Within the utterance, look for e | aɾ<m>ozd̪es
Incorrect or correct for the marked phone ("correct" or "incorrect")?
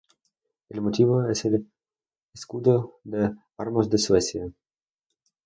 correct